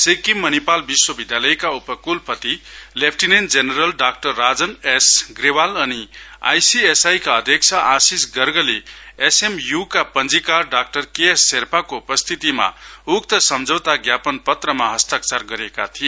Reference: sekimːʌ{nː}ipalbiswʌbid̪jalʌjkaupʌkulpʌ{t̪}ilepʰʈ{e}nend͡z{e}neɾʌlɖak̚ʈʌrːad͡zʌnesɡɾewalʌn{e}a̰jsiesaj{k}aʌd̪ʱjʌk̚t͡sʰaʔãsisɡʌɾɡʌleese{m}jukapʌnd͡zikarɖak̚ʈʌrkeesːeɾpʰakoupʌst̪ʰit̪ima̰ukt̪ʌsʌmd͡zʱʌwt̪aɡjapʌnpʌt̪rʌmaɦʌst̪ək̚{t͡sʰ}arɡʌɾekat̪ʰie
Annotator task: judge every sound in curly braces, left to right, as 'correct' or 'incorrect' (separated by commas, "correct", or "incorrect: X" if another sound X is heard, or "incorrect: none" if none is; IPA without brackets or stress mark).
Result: incorrect: n, correct, incorrect: i, correct, incorrect: i, correct, correct, incorrect: t͡s